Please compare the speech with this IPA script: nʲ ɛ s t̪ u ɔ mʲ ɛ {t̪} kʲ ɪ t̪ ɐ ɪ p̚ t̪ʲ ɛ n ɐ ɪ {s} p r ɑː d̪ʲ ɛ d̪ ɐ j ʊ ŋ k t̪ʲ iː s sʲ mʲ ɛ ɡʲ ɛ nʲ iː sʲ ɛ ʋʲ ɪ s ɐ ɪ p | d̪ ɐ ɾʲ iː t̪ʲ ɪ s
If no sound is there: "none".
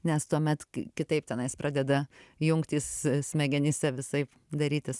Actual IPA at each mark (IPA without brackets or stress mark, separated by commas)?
t̪, s